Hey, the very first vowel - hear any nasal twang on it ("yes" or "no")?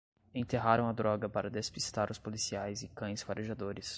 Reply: yes